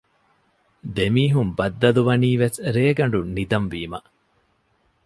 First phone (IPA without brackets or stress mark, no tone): d̪